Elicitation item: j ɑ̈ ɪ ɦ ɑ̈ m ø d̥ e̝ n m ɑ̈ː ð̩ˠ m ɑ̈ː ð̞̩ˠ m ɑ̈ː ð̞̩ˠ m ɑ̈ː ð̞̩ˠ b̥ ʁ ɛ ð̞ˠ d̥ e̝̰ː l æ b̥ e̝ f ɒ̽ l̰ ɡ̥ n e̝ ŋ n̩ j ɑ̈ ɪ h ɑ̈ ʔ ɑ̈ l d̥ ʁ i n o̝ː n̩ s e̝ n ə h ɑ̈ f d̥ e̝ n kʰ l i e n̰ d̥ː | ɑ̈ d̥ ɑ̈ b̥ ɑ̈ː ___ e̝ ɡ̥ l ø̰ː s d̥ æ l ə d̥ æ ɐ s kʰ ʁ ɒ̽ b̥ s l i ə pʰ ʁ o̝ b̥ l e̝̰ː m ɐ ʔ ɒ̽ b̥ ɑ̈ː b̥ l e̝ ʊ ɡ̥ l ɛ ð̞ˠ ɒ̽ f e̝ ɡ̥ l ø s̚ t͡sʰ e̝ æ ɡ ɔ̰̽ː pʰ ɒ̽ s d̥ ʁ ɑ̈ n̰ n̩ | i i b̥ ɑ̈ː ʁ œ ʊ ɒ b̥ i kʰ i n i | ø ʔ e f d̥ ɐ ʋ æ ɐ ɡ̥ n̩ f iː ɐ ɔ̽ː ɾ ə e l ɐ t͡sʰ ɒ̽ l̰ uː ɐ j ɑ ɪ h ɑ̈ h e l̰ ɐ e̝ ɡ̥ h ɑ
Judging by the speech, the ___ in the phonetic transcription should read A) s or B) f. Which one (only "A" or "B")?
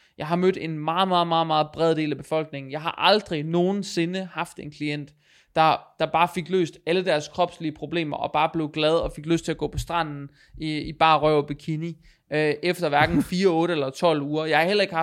B